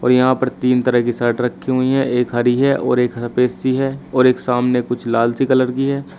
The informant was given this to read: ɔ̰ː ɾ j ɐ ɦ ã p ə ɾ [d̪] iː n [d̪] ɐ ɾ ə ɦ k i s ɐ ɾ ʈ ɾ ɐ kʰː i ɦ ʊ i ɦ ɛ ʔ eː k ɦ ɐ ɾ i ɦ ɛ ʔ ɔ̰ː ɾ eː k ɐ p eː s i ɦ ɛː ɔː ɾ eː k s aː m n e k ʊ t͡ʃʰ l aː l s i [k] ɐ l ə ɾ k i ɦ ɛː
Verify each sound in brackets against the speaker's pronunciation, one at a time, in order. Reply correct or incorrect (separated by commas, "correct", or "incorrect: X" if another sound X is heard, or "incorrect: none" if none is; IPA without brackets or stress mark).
incorrect: t̪, incorrect: t̪, correct